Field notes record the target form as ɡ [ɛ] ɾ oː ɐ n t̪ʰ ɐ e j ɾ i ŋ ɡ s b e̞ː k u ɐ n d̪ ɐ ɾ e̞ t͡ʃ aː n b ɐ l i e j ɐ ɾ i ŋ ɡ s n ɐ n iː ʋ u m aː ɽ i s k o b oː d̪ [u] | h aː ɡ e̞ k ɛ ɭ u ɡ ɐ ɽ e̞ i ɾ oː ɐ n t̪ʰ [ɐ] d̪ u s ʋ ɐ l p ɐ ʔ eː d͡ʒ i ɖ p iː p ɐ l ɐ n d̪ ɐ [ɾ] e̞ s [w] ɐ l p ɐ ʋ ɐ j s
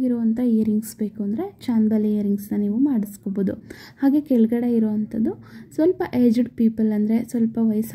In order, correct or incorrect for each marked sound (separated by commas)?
incorrect, correct, correct, correct, incorrect